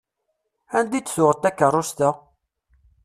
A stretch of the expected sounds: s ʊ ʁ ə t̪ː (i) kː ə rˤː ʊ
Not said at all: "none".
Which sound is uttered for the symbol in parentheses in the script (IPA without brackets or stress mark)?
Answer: æ